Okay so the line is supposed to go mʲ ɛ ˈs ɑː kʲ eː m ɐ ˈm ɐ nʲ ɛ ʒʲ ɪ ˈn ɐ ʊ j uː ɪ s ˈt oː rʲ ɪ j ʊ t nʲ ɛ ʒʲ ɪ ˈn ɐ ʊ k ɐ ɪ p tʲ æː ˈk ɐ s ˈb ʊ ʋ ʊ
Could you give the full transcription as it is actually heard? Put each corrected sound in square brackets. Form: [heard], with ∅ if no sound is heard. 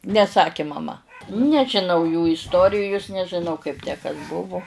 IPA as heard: [nʲ] ɛ ˈs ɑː kʲ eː m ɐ ˈm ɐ nʲ ɛ ʒʲ ɪ ˈn ɐ ʊ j uː ɪ s ˈt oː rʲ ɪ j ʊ [s] nʲ ɛ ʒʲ ɪ ˈn ɐ ʊ k ɐ ɪ p tʲ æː ˈk ɐ s ˈb ʊ ʋ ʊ